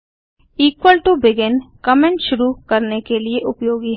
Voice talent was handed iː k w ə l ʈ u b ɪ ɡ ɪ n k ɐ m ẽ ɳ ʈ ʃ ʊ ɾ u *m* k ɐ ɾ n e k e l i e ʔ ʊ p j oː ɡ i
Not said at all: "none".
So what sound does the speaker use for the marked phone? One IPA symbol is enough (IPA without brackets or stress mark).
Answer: none